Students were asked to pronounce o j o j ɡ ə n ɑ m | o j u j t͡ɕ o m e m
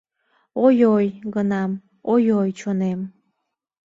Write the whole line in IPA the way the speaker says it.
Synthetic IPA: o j o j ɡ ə n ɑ m | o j o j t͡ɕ o n e m